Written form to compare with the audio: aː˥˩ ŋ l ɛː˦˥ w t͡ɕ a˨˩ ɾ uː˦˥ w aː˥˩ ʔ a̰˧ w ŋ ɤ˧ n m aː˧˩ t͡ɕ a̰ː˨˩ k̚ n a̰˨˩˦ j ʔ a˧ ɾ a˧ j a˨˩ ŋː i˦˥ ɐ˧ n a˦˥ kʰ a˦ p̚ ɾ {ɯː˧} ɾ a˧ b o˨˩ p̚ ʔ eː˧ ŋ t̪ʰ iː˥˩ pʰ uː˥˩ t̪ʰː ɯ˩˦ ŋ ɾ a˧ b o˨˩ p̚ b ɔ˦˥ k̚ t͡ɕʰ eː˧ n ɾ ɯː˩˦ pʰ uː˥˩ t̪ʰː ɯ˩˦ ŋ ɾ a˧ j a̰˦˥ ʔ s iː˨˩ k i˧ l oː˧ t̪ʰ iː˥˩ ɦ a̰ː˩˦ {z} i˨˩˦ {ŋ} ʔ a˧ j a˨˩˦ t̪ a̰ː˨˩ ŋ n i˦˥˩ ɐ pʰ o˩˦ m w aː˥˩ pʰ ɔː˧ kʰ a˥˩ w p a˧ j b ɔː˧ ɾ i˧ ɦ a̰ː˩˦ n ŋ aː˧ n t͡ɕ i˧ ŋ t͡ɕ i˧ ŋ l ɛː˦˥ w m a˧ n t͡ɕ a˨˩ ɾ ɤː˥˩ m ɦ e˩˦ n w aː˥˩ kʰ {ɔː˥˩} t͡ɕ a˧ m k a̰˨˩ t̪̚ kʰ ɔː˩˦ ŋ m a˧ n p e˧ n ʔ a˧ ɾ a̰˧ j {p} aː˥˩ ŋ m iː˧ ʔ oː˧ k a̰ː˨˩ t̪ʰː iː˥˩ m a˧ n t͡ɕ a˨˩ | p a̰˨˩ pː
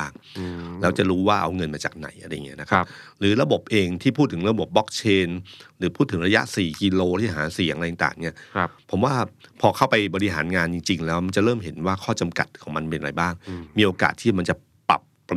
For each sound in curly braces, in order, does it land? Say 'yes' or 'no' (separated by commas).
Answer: no, no, yes, yes, no